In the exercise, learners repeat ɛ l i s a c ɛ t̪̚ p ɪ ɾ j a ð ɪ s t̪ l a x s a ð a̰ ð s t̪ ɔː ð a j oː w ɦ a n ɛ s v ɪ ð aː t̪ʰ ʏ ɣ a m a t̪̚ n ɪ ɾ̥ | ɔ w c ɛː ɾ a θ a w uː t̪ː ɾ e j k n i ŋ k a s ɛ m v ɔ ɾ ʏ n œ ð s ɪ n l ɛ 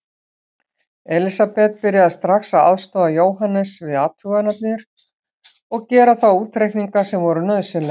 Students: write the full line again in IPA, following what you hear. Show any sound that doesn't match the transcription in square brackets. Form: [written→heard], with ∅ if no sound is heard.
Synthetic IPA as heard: ɛ l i s a [c→p] ɛ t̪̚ p ɪ ɾ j a ð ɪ s t̪ [l→ɾ] a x s a ð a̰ ð s t̪ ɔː ð a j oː w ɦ a n ɛ s v ɪ ð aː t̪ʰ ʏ ɣ a [m→n] a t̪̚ n ɪ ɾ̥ | ɔ [w→ɣ] c ɛː ɾ a θ a w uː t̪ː ɾ e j k n i ŋ k a s ɛ m v ɔ ɾ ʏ n œ ð s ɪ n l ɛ